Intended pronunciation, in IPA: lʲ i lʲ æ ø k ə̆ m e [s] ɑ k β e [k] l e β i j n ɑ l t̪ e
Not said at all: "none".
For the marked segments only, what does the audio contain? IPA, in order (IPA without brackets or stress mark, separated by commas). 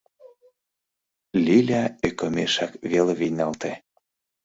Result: ʃ, none